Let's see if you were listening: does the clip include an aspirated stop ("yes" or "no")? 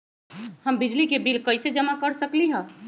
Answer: no